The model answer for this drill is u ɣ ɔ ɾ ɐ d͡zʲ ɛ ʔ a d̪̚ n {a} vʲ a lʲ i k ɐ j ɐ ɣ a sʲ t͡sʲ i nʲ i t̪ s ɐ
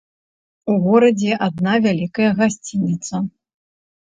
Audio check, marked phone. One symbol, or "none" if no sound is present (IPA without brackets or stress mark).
a